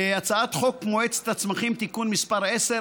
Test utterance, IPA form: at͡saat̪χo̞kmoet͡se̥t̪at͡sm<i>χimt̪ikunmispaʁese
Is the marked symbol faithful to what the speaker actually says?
no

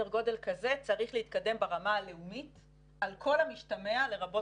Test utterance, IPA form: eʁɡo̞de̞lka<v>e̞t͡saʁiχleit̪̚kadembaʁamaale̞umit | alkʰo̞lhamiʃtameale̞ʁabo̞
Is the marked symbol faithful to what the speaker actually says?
no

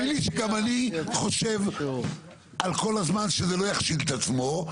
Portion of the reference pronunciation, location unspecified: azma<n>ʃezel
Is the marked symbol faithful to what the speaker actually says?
yes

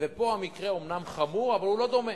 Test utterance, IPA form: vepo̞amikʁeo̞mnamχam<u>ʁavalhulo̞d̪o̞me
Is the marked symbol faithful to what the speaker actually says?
yes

